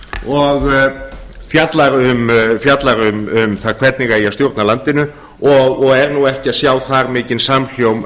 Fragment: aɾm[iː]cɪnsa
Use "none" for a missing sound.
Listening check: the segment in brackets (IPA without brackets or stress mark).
ɪː